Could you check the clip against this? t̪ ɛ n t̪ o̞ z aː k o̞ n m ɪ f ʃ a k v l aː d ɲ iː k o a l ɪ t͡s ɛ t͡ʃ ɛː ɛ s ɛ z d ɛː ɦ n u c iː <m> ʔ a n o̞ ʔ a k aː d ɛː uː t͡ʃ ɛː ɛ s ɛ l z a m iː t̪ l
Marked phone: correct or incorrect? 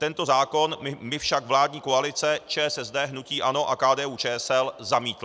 incorrect